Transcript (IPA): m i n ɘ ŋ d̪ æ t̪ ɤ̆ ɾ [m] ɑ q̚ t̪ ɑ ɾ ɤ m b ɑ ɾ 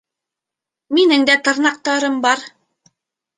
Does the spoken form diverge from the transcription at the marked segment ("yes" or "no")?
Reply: yes